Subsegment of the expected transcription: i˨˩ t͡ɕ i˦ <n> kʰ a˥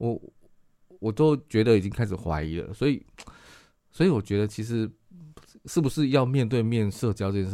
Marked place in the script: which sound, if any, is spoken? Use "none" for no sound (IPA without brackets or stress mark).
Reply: ŋ